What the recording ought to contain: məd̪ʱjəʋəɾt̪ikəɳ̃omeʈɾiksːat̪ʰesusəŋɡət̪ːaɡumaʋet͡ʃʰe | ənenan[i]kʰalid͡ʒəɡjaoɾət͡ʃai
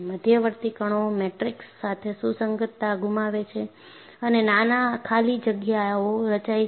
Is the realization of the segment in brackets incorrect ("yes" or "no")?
yes